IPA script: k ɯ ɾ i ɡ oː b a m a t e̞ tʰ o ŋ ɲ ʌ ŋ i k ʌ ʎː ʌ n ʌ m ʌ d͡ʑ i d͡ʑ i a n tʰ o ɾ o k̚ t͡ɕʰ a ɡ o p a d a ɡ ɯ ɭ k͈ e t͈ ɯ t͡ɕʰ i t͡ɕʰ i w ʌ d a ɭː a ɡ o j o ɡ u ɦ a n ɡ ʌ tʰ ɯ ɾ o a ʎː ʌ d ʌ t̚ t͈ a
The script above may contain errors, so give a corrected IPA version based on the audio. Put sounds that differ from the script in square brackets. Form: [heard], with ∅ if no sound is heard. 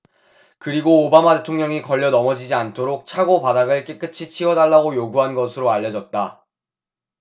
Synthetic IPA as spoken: k ɯ ɾ i ɡ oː b a m a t e̞ tʰ o ŋ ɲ ʌ ŋ i k ʌ ʎː ʌ n ʌ m ʌ d͡ʑ i d͡ʑ i a n tʰ o ɾ o k̚ t͡ɕʰ a ɡ o p a d a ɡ ɯ ɭ k͈ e [k͈] ɯ t͡ɕʰ i t͡ɕʰ i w ʌ d a ɭː a ɡ o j o ɡ u ɦ a n ɡ ʌ [sʰ] ɯ ɾ o a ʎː ʌ [d͡ʑ] ʌ t̚ t͈ a